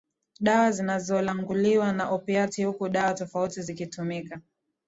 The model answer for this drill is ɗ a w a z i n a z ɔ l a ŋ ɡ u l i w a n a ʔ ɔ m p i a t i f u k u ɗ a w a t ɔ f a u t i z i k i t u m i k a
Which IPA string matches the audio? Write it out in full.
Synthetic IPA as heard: ɗ a w a z i n a z ɔ l a ŋ ɡ u l i w a n a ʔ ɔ p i a t i h u k u ɗ a w a t ɔ f a u t i z i k i t u m i k a